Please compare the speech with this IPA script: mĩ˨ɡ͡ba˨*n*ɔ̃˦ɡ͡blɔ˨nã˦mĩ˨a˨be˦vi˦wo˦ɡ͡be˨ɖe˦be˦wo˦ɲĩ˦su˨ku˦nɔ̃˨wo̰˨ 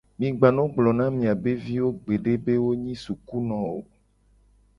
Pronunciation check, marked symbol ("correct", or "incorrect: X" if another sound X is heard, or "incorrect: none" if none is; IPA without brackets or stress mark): correct